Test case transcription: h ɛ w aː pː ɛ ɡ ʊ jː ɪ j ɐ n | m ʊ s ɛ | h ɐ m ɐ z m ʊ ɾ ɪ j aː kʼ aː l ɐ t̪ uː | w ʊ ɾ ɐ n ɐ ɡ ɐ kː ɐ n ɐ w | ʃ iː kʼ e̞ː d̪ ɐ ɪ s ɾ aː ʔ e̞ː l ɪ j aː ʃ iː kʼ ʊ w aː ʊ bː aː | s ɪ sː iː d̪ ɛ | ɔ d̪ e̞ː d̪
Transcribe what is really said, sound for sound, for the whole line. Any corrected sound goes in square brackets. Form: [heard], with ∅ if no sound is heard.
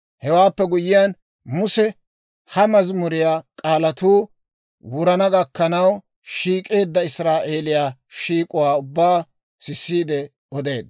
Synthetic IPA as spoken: h ɛ w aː pː ɛ ɡ ʊ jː ɪ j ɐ n | m ʊ s ɛ | h ɐ m ɐ z m ʊ ɾ ɪ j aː kʼ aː l ɐ t̪ uː | w ʊ ɾ ɐ n ɐ ɡ ɐ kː ɐ n ɐ w | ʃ iː kʼ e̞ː [d̪ː] ɐ ɪ s ɾ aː ʔ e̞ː l ɪ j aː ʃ iː kʼ ʊ w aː ʊ bː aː | s ɪ sː iː d̪ ɛ | ɔ d̪ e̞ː d̪